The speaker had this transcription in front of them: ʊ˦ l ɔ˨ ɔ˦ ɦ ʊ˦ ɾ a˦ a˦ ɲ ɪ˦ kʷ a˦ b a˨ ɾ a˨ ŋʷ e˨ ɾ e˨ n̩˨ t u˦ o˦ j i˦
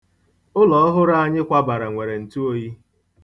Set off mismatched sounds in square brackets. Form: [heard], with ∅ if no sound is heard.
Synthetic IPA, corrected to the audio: ʊ˦ l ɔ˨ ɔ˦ ɦ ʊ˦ ɾ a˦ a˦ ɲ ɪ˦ kʷ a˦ b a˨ ɾ a˨ ŋʷ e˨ ɾ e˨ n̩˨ t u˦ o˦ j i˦